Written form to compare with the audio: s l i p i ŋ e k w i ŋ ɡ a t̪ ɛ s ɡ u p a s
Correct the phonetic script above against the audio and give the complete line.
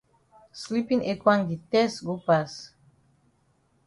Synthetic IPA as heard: s l i p i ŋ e k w a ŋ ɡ i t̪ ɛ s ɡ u p a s